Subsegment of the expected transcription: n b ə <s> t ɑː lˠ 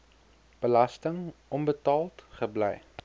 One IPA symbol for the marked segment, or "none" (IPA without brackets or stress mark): none